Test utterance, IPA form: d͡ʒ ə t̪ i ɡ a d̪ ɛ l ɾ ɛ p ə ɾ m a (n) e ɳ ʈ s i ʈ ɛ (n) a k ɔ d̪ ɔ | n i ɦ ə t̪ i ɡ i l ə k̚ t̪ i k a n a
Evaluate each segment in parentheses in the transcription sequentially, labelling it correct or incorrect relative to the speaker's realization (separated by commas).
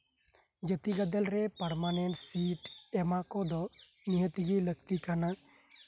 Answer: correct, incorrect